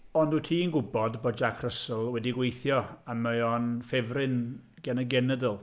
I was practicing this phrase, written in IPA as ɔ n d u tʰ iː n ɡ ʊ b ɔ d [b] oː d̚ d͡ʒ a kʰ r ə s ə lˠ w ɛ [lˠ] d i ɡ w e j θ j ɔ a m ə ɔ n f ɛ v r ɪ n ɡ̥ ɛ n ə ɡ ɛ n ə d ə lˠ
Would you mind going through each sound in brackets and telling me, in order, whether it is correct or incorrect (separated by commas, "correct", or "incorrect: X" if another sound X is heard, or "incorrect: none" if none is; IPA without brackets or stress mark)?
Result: correct, incorrect: none